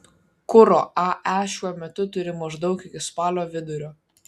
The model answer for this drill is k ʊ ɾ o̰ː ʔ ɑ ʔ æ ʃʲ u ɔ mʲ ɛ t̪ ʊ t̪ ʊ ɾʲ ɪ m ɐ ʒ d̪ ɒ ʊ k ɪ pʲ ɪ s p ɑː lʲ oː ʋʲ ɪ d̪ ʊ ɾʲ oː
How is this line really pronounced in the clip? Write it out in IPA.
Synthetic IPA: k ʊ ɾ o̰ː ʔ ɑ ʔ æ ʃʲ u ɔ mʲ ɛ t̪ ʊ t̪ ʊ ɾʲ ɪ m ɐ ʒ d̪ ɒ ʊ k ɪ kʲ ɪ s p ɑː lʲ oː ʋʲ ɪ d̪ ʊ ɾʲ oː